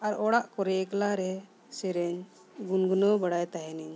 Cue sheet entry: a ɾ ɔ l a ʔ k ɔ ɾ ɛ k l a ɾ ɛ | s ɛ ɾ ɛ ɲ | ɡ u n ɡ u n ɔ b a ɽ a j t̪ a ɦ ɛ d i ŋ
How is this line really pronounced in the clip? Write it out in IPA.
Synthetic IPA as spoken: a ɾ ɔ ɽ a ʔ k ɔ ɾ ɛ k l a ɾ ɛ | s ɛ ɾ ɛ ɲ | ɡ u n ɡ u n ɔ b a ɽ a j t̪ a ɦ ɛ n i ɲ